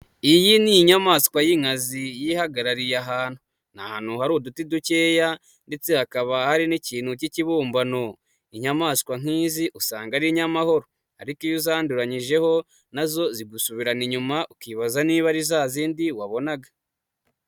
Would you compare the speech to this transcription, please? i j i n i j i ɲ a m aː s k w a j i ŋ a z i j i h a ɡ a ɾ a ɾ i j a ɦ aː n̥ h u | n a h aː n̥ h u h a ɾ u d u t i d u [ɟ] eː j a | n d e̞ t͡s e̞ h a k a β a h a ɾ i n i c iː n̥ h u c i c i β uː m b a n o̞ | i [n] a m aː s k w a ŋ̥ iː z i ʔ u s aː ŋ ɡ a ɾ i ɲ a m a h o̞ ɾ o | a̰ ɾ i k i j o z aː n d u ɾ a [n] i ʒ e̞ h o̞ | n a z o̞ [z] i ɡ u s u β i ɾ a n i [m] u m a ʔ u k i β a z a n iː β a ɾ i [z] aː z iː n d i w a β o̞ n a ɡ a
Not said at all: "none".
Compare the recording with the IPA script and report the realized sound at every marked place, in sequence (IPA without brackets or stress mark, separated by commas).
c, ɲ, ɲ, z, ɲ, z